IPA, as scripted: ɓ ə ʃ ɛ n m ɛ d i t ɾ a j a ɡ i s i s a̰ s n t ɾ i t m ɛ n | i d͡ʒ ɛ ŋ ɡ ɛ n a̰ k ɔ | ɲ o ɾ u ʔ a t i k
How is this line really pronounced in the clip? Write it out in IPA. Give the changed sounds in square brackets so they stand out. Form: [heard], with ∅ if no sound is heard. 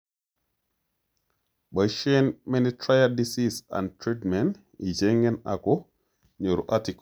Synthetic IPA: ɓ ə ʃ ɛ n m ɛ [n] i t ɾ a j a [d] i s i s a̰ [∅] n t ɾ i t m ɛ n | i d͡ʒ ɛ ŋ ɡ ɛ n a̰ k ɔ | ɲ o ɾ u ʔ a t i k